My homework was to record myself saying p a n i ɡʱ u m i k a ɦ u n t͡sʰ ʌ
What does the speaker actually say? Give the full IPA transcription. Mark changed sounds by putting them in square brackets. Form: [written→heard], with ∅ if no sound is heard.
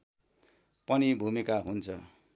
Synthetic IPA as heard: p [a→ʌ] n i [ɡʱ→bʱ] u m i k a ɦ u n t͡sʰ ʌ